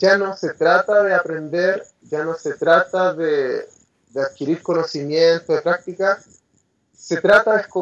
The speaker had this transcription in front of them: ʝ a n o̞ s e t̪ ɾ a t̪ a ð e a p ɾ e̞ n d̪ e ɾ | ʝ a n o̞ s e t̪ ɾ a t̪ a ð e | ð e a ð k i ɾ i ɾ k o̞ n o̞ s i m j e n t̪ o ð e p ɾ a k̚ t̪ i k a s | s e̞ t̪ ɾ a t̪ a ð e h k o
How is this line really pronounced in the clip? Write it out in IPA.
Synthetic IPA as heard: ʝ a n o̞ s e t̪ ɾ a t̪ a ð e a p ɾ e̞ n d̪ e ɾ | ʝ a n o̞ s e t̪ ɾ a t̪ a ð e | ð e a ð k i ɾ i ɾ k o̞ n o̞ s i m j e n t̪ o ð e p ɾ a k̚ t̪ i k a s | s e̞ t̪ ɾ a t̪ a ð e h k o